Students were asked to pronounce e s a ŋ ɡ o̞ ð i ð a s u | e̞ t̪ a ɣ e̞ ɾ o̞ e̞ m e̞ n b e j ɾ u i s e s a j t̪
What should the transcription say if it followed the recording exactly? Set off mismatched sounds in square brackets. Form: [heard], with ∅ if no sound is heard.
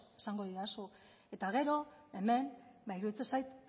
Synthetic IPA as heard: e s a ŋ ɡ o̞ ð i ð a s u | e̞ t̪ a ɣ e̞ ɾ o̞ e̞ m e̞ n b [a] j ɾ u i [t͡s] e s a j t̪

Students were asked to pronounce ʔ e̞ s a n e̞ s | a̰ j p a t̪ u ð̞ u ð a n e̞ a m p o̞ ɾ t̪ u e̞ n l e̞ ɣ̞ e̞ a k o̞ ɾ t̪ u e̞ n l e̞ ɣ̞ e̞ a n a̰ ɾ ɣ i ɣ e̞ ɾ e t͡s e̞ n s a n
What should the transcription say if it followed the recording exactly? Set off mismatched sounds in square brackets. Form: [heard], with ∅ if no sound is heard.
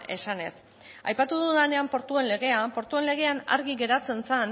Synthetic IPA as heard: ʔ e̞ s a n e̞ s | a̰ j p a t̪ u ð̞ u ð a n e̞ a m p o̞ ɾ t̪ u e̞ n l e̞ ɣ̞ e̞ a [p] o̞ ɾ t̪ u e̞ n l e̞ ɣ̞ e̞ a n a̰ ɾ ɣ i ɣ e̞ ɾ [a] t͡s e̞ n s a n

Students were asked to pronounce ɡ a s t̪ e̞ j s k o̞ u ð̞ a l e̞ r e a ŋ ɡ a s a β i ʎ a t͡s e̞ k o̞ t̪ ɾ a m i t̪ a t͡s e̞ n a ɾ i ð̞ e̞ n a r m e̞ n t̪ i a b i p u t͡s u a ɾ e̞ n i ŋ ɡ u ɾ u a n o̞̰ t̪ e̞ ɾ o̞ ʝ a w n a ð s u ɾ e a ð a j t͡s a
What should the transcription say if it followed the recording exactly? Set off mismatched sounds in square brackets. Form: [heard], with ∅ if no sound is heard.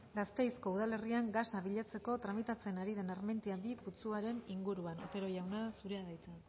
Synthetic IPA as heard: ɡ a s t̪ e̞ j s k o̞ u ð̞ a l e̞ r [i] a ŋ ɡ a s a β i ʎ a t͡s e̞ k o̞ t̪ ɾ a m i t̪ a t͡s e̞ n a ɾ i ð̞ e̞ n a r m e̞ n t̪ i a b i p u t͡s u a ɾ e̞ n i ŋ ɡ u ɾ u a n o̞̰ t̪ e̞ ɾ o̞ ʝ a w n a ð s u ɾ e a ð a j t͡s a

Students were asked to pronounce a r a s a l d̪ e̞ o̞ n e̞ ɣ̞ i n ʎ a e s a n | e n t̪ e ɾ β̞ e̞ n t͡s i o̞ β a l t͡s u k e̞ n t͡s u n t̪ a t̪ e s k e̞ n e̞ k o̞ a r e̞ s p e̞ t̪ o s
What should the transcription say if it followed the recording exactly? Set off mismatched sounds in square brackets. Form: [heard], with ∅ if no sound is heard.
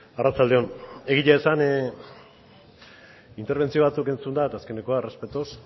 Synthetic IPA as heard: a r a [t͡s] a l d̪ e̞ o̞ n e̞ ɣ̞ i [∅] ʎ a e s a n | [i] n t̪ e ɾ β̞ e̞ n t͡s i o̞ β a [∅] t͡s u k e̞ n t͡s u n [d̪] a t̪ [a] s k e̞ n e̞ k o̞ a r e̞ s p e̞ t̪ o s

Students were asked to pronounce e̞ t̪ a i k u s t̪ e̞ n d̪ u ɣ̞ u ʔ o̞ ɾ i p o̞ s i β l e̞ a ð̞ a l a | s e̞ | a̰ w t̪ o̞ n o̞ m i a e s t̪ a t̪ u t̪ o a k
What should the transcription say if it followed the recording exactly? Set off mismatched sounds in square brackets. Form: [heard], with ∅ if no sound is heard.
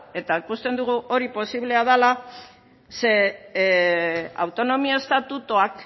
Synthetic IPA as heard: e̞ t̪ a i k u s t̪ e̞ n d̪ u ɣ̞ u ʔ o̞ ɾ i p o̞ s i β l e̞ a ð̞ a l a | s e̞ | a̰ w t̪ o̞ n o̞ m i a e s t̪ a t̪ u t̪ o a k

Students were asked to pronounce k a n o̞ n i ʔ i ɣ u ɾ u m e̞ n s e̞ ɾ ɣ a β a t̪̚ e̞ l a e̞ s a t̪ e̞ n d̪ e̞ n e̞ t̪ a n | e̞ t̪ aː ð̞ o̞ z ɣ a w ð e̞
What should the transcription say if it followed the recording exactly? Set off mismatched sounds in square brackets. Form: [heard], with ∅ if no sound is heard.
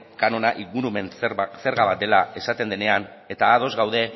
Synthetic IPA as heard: k a n o̞ n [a] ʔ i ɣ u ɾ u m e̞ n s e̞ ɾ ɣ a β a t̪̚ e̞ l a e̞ s a t̪ e̞ n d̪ e̞ n e̞ [∅] a n | e̞ t̪ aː ð̞ o̞ z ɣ a w ð e̞

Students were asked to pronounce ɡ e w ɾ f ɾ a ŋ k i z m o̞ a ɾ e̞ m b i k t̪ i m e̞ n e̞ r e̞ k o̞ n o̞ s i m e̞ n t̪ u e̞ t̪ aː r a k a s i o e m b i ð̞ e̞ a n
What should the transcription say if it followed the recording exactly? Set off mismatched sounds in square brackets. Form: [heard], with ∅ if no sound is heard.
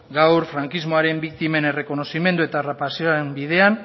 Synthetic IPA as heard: ɡ [a] w ɾ f ɾ a ŋ k i z m o̞ a ɾ e̞ m b i k t̪ i m e̞ n e̞ r e̞ k o̞ n o̞ s i m e̞ n [d̪] u e̞ t̪ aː r a [p] a s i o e m b i ð̞ e̞ a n

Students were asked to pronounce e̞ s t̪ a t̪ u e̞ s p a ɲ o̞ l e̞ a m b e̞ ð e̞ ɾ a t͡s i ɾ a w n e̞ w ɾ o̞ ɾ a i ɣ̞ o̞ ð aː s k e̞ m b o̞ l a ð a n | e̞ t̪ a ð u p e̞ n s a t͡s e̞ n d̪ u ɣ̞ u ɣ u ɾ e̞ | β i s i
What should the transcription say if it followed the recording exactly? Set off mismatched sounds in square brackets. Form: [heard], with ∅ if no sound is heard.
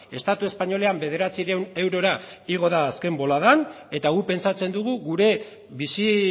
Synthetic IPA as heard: e̞ s t̪ a t̪ u e̞ s p a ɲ o̞ l e̞ a m b e̞ ð e̞ ɾ a t͡s i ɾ [e] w n e̞ w ɾ o̞ ɾ a i ɣ̞ o̞ ð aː s k e̞ m b o̞ l a ð a n | e̞ t̪ a [ɣ] u p e̞ n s a t͡s e̞ n d̪ u ɣ̞ u ɣ u ɾ e̞ | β i s i

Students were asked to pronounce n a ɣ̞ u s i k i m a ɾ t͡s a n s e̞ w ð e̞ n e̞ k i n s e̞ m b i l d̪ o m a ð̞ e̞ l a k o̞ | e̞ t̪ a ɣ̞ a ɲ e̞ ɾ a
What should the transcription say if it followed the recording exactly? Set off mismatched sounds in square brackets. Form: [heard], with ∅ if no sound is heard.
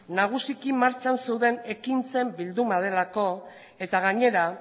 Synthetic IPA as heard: n a ɣ̞ u s i k i m a ɾ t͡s a n s e̞ w ð e̞ n e̞ k i n [t͡s] e̞ m b i l d̪ [u] m a ð̞ e̞ l a k o̞ | e̞ t̪ a ɣ̞ a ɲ e̞ ɾ a

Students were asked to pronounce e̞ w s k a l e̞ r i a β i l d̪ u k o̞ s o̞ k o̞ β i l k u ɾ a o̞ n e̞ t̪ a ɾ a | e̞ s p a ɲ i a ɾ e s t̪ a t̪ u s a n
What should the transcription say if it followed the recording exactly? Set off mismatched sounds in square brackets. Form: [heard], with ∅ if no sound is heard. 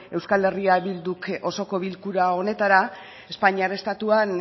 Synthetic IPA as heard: e̞ w s k a l e̞ r i a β i l d̪ u k o̞ s o̞ k o̞ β i l k u ɾ a o̞ n e̞ t̪ a ɾ a | e̞ s p a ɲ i a ɾ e s t̪ a t̪ u [∅] a n

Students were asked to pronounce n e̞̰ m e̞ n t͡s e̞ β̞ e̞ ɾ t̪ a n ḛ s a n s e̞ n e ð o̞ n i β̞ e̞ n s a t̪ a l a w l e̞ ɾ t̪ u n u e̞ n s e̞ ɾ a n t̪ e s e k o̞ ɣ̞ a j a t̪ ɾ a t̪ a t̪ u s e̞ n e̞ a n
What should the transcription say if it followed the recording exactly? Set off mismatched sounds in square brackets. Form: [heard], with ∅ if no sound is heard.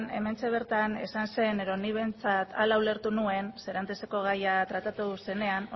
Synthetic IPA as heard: n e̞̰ m e̞ n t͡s e̞ β̞ e̞ ɾ t̪ a n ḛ s a n s e̞ n e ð o̞ n i β̞ e̞ n [t͡s] a t̪ a l a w l e̞ ɾ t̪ u n u e̞ n s e̞ ɾ a n t̪ e s e k o̞ ɣ̞ a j a t̪ ɾ a t̪ a t̪ u s e̞ n e̞ a n

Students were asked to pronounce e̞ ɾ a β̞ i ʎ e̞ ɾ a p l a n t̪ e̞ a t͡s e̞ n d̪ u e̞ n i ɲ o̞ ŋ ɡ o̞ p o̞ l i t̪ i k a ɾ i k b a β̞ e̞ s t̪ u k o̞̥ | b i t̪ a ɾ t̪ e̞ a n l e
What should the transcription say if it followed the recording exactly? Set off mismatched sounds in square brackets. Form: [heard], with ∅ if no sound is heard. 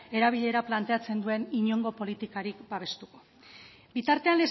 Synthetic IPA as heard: e̞ ɾ a β̞ i ʎ e̞ ɾ a p l a n t̪ e̞ a t͡s e̞ n d̪ u e̞ n i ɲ o̞ ŋ ɡ o̞ p o̞ l i t̪ i k a ɾ i k b a β̞ e̞ s t̪ u k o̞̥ | b i t̪ a ɾ t̪ e̞ a n l e

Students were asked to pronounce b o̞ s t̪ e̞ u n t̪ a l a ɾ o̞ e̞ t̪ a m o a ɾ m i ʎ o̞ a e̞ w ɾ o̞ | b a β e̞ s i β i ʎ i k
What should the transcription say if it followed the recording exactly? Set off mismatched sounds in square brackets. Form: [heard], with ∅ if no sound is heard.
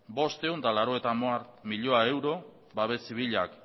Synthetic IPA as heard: b o̞ s t̪ e̞ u n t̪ a l a ɾ o̞ e̞ t̪ a m o a ɾ m i ʎ o̞ a e̞ w ɾ o̞ | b a β e̞ s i β i ʎ [a] k

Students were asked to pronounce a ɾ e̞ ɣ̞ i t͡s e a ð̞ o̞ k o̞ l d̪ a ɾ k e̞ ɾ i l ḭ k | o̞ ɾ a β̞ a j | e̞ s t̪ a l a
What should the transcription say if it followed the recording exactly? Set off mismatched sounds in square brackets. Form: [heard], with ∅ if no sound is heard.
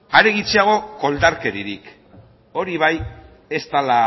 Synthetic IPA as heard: a ɾ e̞ ɣ̞ i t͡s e a [ɣ̞] o̞ k o̞ l d̪ a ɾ k e̞ ɾ i [ɾ] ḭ k | o̞ ɾ [i] β̞ a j | e̞ s t̪ a l a

